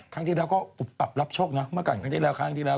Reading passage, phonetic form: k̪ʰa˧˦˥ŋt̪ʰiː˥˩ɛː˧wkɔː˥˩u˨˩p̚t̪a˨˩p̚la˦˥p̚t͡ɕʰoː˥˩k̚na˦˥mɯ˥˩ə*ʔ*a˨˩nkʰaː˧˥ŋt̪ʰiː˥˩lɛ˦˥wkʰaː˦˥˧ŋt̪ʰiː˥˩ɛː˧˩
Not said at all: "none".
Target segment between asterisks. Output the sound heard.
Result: k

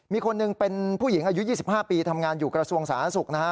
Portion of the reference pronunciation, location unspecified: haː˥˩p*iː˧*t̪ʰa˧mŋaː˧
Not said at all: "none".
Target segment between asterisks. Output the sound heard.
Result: iː˧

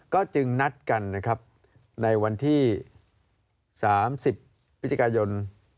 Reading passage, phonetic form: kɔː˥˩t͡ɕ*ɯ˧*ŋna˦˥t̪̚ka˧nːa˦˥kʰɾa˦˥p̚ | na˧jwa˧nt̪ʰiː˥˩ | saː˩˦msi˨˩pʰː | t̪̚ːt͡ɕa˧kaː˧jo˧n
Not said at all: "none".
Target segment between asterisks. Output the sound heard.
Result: ɯ˧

